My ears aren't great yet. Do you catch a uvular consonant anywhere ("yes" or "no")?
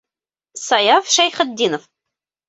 yes